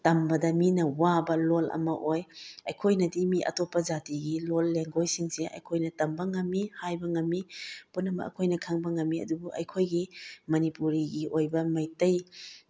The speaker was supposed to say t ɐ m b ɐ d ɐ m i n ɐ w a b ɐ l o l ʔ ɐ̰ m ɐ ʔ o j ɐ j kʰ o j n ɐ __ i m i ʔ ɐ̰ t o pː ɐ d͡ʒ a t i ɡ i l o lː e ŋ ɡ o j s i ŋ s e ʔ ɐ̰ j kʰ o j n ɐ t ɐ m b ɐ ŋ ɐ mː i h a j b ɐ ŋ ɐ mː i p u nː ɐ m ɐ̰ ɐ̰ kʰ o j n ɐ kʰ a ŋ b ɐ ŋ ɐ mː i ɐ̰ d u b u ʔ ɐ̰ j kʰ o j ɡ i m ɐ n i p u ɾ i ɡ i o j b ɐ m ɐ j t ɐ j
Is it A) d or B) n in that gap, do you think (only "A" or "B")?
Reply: A